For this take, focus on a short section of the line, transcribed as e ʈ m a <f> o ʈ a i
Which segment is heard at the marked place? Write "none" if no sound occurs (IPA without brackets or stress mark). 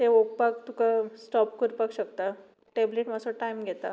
s